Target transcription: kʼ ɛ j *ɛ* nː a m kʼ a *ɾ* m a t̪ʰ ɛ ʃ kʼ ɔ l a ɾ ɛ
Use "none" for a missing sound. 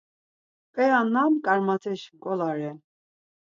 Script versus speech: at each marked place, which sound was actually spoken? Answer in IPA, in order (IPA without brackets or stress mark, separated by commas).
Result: a, ɾ